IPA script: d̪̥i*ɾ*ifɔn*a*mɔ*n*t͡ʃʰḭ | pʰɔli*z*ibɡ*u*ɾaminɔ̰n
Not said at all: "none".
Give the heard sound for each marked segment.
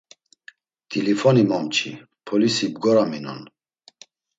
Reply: l, i, m, s, ɔ

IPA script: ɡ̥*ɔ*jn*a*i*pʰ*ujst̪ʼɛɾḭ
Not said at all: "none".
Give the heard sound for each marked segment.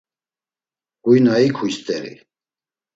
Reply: u, a, kʰ

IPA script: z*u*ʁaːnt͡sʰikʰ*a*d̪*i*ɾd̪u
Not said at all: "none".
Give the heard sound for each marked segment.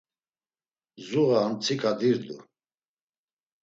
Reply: u, a, i

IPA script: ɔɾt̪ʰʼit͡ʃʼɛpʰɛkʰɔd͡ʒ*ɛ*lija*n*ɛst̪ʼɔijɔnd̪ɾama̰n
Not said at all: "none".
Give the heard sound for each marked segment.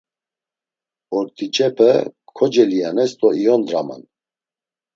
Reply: ɛ, n

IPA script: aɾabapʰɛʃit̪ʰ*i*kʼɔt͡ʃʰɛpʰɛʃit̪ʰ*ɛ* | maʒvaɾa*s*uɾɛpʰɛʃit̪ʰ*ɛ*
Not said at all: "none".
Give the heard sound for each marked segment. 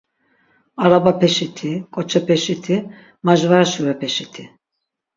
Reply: i, i, ʃ, i

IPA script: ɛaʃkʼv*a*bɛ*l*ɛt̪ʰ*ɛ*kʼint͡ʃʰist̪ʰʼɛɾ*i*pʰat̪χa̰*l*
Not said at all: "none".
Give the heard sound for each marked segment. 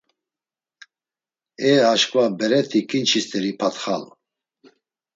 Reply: a, ɾ, i, i, l

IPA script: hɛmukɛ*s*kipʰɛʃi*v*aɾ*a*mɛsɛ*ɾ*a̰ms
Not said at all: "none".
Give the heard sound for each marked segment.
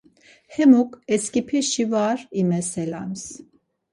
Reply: s, v, i, l

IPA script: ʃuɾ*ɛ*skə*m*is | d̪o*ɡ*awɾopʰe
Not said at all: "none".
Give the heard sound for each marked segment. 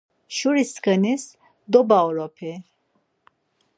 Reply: i, n, b

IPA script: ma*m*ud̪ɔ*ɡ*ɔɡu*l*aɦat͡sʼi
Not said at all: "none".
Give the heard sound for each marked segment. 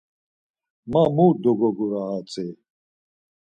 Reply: m, ɡ, ɾ

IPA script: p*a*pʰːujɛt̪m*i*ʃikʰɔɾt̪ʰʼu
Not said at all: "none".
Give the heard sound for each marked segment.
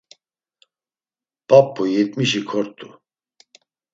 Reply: a, i

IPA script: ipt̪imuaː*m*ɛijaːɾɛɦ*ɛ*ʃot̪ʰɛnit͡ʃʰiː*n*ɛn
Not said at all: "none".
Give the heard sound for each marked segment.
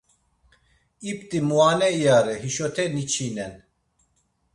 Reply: n, i, n

